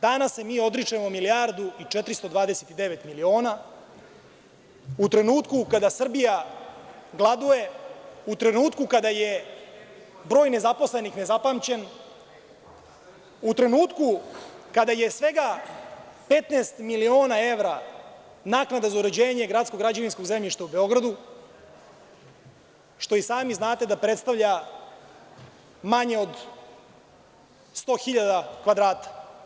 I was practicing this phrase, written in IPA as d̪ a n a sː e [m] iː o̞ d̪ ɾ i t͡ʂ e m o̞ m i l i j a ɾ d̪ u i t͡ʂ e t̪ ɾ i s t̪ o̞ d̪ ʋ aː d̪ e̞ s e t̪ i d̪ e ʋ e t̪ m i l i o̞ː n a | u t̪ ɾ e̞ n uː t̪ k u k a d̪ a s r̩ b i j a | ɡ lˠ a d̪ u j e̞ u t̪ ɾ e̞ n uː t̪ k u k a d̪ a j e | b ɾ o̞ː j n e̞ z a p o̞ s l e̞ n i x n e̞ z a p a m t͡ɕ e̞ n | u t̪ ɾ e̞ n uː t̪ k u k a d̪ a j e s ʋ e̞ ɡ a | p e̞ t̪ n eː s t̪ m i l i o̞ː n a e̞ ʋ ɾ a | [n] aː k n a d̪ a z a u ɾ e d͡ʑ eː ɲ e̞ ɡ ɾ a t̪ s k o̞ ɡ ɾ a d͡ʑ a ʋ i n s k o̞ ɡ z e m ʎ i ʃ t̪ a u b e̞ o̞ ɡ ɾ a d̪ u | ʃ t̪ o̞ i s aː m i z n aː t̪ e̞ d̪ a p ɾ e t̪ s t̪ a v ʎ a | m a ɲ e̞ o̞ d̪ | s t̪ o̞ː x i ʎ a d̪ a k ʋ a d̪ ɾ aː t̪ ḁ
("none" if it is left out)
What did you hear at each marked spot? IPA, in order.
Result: m, n

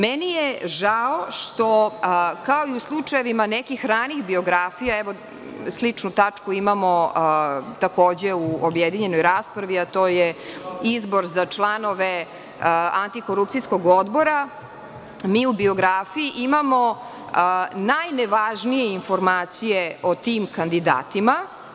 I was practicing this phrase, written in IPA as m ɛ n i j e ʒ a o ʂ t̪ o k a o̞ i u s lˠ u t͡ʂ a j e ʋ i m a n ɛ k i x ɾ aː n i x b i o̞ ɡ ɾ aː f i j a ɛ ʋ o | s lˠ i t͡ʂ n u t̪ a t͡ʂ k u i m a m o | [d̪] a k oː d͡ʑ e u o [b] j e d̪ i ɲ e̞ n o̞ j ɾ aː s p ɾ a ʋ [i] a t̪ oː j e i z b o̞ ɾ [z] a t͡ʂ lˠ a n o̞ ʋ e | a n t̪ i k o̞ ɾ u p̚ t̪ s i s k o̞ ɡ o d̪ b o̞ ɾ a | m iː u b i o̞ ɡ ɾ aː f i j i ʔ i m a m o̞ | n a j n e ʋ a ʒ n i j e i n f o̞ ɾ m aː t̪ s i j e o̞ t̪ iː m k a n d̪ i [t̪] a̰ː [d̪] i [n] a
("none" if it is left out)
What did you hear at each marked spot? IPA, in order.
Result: t̪, b, i, z, d̪, t̪, m

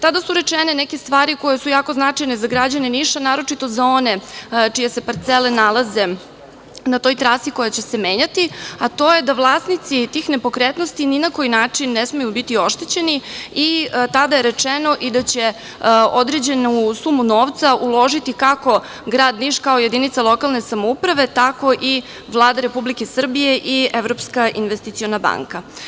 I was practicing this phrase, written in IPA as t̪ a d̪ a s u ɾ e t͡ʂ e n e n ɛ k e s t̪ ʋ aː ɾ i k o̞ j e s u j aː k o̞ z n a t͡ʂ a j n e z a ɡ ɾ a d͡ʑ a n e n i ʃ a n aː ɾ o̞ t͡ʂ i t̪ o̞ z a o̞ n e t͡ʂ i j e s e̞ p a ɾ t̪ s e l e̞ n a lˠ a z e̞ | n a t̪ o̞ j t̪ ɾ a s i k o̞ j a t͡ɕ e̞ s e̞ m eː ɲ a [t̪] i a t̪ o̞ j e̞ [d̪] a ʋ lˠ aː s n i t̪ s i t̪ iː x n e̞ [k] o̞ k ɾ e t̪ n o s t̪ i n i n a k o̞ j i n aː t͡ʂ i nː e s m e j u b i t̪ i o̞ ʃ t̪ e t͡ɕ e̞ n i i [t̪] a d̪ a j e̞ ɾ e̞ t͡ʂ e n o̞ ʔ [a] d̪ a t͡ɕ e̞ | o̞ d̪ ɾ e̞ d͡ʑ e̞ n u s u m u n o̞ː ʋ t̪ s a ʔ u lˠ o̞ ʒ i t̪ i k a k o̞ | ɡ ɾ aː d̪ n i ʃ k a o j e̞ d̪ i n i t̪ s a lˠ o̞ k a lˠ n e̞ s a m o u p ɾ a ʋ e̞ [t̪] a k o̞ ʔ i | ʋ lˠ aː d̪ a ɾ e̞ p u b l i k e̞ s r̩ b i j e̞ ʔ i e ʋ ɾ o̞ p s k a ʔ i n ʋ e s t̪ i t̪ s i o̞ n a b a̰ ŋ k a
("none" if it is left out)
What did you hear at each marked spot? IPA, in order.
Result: t̪, d̪, p, t̪, i, t̪

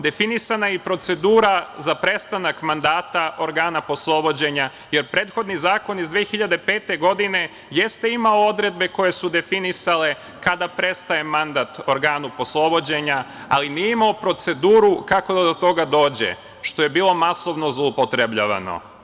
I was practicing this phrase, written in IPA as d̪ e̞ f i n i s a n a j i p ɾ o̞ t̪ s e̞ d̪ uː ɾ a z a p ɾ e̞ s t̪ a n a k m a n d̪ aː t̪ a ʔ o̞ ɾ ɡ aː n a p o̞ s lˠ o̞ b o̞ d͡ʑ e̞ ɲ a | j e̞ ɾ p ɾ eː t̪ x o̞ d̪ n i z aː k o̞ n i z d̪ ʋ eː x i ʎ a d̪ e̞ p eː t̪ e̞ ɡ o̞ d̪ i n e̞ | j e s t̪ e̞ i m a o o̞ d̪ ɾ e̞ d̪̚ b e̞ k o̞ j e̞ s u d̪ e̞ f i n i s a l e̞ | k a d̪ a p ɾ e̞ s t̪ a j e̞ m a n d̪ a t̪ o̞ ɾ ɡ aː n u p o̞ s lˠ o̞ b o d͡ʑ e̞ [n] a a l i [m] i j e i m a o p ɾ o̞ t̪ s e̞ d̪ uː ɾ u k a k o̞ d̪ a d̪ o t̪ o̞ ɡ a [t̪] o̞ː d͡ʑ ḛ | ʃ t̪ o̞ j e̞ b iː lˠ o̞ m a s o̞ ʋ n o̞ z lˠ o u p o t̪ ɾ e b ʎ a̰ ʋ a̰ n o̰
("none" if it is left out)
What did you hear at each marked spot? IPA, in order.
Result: ɲ, n, d̪

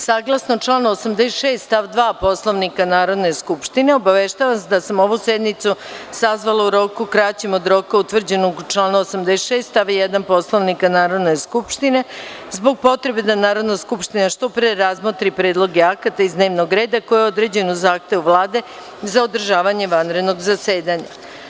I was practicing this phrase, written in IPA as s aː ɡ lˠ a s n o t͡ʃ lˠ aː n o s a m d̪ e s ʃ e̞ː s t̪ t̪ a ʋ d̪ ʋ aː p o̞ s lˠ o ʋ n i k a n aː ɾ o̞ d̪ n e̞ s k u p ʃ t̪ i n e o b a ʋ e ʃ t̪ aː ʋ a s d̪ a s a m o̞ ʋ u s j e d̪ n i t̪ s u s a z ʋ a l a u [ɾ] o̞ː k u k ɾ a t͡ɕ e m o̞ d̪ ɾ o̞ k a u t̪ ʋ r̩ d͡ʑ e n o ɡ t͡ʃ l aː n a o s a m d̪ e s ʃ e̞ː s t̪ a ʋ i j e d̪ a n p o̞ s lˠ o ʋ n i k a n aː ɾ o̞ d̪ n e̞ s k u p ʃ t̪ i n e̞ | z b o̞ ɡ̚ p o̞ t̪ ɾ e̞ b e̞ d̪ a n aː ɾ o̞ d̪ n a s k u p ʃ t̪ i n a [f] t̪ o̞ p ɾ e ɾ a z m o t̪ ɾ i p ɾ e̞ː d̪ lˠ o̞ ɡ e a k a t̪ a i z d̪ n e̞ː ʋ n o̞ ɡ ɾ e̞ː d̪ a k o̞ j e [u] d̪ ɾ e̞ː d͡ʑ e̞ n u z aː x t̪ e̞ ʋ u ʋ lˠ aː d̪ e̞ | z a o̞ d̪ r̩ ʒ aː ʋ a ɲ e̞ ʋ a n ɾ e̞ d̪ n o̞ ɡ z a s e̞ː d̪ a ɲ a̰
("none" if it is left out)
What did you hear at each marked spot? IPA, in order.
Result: ɾ, ʃ, o

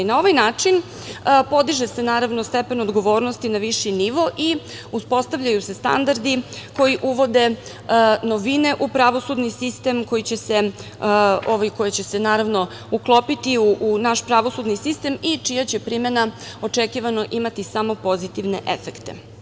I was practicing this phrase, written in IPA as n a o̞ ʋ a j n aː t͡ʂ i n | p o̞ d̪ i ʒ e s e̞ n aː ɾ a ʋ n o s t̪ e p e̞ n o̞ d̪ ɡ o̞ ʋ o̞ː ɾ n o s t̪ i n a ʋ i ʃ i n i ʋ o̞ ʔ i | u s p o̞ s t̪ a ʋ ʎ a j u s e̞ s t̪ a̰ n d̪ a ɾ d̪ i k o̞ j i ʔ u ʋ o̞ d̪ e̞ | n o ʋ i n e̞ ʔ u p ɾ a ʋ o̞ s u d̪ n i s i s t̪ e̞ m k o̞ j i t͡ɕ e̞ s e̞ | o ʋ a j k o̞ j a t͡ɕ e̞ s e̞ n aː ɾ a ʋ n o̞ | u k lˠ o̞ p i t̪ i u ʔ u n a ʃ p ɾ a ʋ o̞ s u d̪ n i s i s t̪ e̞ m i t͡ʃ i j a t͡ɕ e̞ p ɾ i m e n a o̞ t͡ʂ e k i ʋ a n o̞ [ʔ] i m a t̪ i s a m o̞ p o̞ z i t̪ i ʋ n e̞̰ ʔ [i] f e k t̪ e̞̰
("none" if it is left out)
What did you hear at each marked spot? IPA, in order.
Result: ʔ, e

